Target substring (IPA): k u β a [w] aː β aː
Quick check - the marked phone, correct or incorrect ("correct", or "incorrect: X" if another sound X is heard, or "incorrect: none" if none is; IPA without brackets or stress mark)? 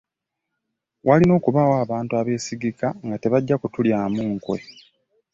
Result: correct